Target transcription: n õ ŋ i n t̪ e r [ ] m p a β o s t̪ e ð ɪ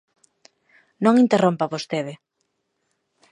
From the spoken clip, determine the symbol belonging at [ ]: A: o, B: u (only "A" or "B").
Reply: A